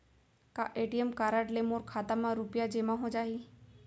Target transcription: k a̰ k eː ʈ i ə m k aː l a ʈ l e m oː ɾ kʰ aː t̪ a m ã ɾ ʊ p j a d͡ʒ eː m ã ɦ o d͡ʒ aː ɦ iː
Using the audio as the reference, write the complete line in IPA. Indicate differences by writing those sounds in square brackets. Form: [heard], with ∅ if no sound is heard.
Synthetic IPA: k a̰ [ʔ] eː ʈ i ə m k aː [ɾ] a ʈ l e m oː ɾ kʰ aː t̪ a m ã ɾ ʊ p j a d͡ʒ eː m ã ɦ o d͡ʒ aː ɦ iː